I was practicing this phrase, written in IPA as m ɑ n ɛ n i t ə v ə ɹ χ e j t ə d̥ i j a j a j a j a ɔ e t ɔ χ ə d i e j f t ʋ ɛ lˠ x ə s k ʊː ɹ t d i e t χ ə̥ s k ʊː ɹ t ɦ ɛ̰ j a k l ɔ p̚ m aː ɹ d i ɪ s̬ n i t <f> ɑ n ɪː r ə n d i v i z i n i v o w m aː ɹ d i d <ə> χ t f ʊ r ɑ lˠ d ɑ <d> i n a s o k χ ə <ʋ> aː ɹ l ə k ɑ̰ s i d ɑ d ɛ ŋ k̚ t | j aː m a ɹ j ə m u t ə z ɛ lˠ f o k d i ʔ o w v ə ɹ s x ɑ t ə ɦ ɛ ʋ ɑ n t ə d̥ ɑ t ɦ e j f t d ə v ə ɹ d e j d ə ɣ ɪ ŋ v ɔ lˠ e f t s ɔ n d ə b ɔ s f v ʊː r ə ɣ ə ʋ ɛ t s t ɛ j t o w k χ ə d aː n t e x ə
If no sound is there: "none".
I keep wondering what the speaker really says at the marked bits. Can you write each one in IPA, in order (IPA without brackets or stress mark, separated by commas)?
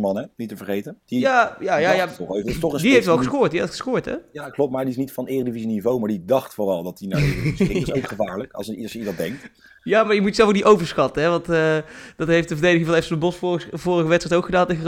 f, ɑ, t, v